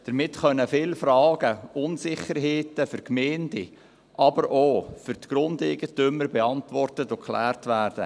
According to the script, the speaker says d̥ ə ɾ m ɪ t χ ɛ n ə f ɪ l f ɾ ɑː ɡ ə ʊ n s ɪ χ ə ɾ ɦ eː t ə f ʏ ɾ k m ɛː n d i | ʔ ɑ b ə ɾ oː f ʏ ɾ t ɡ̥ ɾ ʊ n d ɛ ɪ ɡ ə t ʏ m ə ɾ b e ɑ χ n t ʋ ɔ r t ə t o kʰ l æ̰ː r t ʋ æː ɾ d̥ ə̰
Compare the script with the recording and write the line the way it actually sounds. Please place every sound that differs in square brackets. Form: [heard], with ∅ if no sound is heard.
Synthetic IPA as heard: d̥ ə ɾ m ɪ t χ [œ] n ə f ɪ l f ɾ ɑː ɡ ə ʊ n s ɪ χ ə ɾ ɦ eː t ə f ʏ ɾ k m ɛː n d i | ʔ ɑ b ə ɾ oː f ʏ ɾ t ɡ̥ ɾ ʊ n d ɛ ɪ ɡ ə t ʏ m ə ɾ b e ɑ [∅] n t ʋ ɔ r t ə t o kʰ l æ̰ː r t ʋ æː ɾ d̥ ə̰